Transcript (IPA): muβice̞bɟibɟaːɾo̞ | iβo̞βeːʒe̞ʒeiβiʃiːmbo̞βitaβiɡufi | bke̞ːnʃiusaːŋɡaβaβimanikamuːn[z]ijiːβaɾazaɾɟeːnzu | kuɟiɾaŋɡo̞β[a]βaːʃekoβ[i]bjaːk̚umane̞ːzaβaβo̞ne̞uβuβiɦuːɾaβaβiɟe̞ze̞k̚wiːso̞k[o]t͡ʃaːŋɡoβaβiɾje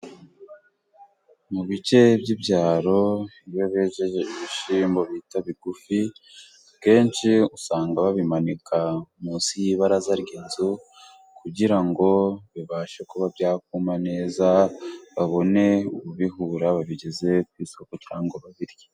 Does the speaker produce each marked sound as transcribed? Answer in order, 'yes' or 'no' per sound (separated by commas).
no, no, no, yes